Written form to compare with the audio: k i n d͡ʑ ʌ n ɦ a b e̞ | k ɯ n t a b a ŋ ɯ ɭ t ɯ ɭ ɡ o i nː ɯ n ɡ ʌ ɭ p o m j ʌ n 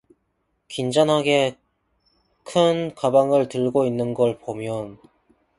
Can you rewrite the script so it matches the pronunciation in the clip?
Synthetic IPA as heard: k i n d͡ʑ ʌ n ɦ a ɡ e̞ | kʰ ɯ n k a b a ŋ ɯ ɭ t ɯ ɭ ɡ o i nː ɯ n ɡ ʌ ɭ p o m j ʌ n